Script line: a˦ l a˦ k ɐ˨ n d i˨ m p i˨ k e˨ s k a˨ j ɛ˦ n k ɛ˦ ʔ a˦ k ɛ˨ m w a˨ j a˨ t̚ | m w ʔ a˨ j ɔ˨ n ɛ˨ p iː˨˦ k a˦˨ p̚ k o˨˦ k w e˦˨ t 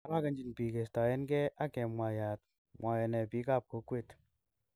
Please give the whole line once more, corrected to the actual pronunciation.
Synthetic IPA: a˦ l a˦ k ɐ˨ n d͡ʒ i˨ n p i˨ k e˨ s t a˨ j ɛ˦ n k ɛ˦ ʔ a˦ k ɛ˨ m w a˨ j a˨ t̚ | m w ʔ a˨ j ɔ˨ n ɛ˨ p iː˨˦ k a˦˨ p̚ k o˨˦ k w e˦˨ t